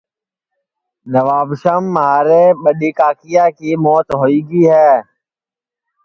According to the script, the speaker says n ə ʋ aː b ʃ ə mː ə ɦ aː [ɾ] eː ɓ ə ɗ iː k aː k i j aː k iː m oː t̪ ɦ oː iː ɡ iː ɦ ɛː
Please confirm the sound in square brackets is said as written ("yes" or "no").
yes